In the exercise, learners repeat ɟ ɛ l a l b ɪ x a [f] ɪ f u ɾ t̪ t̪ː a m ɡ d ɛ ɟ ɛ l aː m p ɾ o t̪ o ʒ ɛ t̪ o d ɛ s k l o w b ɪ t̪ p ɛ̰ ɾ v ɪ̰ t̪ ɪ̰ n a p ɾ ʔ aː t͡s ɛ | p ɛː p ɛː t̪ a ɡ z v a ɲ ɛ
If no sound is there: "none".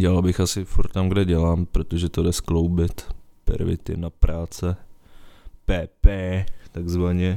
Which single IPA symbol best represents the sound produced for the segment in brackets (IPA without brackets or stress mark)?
s